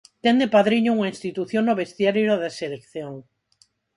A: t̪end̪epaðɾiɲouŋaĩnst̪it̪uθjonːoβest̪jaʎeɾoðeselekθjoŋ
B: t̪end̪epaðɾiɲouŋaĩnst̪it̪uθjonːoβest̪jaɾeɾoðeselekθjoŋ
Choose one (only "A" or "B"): B